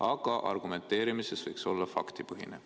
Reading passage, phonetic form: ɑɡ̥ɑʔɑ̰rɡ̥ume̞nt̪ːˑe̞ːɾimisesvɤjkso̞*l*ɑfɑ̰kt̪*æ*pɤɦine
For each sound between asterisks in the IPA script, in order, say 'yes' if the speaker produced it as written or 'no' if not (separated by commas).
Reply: no, no